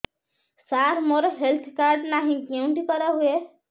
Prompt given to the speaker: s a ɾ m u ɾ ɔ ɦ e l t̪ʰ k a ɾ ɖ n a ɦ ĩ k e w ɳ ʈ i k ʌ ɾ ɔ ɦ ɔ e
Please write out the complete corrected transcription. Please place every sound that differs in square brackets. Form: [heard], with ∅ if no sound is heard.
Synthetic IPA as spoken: s a ɾ m [o] ɾ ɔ ɦ e l t̪ʰ k a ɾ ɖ n a ɦ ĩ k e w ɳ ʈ i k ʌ ɾ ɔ ɦ [u] e